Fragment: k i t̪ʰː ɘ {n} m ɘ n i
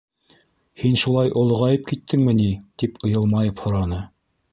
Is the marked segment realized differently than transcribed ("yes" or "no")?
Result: yes